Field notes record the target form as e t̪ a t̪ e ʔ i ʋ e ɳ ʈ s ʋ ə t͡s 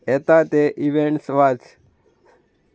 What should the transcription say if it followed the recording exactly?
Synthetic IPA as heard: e t̪ a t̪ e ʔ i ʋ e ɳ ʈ s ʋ a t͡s